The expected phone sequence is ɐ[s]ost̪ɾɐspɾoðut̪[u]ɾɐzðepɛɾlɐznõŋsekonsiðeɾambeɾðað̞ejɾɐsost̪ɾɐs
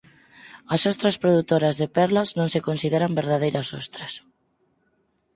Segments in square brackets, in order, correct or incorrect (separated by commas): correct, incorrect